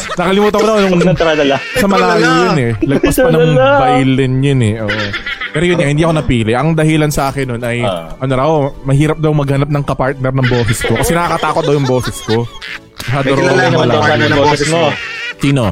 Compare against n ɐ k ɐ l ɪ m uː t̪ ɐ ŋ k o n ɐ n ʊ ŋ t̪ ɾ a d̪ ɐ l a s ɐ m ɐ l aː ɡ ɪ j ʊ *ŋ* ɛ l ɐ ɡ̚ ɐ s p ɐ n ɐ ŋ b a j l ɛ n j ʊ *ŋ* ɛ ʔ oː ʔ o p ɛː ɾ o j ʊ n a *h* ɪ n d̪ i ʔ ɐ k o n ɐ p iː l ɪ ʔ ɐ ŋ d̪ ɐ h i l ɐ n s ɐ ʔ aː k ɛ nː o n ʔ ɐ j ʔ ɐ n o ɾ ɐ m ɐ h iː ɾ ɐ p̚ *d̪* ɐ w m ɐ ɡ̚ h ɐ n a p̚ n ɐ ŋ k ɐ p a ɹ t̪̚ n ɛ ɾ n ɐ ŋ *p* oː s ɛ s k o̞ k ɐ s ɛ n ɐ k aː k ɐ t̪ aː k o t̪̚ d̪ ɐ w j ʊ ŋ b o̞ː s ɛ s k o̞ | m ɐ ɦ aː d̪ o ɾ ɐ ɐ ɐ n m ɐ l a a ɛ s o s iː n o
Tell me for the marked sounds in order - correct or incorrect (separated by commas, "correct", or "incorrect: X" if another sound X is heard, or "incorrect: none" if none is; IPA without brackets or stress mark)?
incorrect: n, incorrect: n, correct, correct, incorrect: b